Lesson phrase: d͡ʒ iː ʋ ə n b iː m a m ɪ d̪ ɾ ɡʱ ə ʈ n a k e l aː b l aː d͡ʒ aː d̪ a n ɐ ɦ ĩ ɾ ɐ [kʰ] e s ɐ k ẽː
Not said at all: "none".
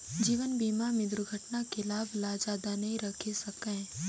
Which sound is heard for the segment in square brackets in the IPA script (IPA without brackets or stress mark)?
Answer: kʰ